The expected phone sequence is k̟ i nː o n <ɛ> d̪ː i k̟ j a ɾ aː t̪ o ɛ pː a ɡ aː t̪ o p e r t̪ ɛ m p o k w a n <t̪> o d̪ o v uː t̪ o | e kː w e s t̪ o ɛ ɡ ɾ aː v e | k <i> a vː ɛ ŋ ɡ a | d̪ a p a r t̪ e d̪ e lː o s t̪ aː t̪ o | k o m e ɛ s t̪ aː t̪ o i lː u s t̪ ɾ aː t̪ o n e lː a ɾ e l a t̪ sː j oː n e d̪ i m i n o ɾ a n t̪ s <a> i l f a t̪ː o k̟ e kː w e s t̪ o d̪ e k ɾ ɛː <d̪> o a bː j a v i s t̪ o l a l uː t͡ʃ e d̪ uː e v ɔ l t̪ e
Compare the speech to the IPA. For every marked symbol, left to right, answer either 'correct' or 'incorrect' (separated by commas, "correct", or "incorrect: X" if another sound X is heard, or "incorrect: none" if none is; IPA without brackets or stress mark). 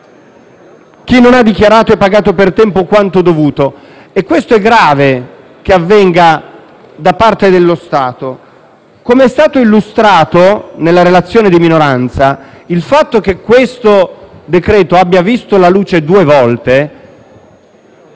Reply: incorrect: a, correct, incorrect: e, correct, incorrect: t̪